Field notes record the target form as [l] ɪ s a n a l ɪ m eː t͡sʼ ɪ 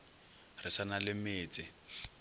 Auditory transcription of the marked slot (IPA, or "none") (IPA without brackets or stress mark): r